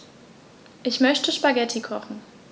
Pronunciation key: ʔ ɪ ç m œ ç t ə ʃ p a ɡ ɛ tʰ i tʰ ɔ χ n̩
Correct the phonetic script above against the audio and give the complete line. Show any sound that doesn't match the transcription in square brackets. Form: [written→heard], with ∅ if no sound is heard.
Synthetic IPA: ʔ ɪ ç m œ ç t ə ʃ p a ɡ ɛ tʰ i [tʰ→kʰ] ɔ χ n̩